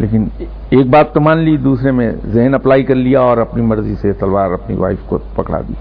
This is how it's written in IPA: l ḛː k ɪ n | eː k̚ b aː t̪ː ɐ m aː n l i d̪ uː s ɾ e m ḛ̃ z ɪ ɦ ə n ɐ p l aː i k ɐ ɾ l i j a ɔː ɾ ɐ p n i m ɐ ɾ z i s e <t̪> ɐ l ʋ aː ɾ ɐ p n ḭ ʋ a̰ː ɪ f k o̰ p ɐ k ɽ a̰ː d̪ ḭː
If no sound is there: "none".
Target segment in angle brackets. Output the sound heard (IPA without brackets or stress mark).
t̪